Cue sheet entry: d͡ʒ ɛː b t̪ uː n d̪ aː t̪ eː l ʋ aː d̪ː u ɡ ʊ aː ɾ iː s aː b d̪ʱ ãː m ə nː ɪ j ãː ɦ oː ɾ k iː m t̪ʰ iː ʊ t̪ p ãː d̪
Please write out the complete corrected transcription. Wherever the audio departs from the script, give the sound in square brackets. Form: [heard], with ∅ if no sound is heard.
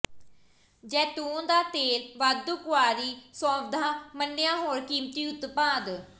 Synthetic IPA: d͡ʒ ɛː [∅] t̪ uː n d̪ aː t̪ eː l ʋ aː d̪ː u [k] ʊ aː ɾ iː s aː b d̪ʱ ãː m ə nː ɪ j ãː ɦ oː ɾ k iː m [t̪] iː ʊ t̪ p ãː d̪

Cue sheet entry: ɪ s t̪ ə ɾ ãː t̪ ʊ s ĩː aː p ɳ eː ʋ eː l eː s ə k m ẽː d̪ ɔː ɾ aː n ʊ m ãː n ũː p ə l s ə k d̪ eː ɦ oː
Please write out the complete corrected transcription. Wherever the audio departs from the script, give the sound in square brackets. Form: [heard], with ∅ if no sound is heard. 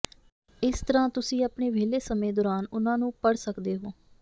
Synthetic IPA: ɪ s t̪ ə ɾ ãː t̪ ʊ s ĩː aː p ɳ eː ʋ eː l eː s ə [∅] m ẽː d̪ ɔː ɾ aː n ʊ [n] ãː n ũː p ə [ɽ] s ə k d̪ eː ɦ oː

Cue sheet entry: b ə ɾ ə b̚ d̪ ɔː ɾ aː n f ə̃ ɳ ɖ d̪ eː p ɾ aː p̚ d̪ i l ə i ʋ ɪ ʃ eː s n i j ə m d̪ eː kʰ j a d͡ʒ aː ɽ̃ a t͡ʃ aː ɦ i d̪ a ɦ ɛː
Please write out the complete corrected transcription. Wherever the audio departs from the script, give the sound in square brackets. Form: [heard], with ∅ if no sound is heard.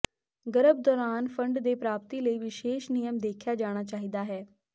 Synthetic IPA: [ɡ] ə ɾ ə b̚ d̪ ɔː ɾ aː n f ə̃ ɳ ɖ d̪ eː p ɾ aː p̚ [t̪] i l ə i ʋ ɪ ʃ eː [ʃ] n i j ə m d̪ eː kʰ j a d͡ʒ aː ɽ̃ a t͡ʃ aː ɦ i d̪ a ɦ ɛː

